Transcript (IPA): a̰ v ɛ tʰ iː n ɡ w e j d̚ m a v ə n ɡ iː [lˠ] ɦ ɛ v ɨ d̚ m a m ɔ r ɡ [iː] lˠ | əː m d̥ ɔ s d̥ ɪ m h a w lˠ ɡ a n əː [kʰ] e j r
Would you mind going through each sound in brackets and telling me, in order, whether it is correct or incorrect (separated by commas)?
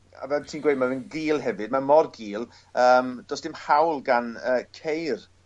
correct, correct, correct